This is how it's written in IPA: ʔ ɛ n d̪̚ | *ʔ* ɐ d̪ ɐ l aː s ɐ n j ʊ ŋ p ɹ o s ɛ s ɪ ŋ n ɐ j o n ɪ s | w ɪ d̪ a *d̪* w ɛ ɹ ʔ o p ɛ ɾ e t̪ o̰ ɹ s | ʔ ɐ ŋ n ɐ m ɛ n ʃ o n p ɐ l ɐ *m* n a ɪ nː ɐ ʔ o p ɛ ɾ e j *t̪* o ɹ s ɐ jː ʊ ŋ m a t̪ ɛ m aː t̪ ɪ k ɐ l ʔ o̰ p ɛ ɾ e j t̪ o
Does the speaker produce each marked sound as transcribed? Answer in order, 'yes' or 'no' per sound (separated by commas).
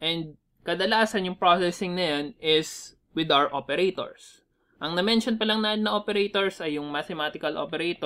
no, no, no, yes